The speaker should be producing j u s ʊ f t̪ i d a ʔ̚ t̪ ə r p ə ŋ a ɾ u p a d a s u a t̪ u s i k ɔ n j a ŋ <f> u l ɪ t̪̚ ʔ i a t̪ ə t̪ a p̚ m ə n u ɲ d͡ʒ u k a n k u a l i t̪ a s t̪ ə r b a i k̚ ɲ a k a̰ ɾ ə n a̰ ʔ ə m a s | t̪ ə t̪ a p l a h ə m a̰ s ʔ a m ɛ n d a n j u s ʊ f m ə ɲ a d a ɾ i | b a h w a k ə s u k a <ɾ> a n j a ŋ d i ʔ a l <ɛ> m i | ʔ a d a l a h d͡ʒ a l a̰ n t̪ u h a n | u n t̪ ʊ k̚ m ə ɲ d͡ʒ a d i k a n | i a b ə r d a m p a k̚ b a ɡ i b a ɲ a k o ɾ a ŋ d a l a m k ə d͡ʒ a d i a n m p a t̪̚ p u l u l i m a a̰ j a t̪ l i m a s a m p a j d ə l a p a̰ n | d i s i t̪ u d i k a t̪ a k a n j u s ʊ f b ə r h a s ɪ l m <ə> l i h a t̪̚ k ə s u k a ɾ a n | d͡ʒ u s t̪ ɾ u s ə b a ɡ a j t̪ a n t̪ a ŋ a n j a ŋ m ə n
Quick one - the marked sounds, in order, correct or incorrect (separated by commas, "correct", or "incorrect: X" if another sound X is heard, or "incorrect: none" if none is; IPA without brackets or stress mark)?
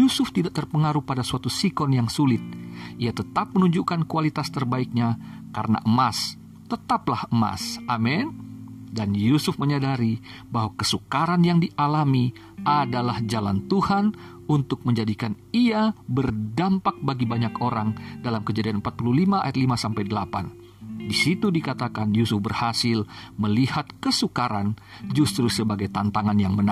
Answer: incorrect: s, correct, incorrect: a, correct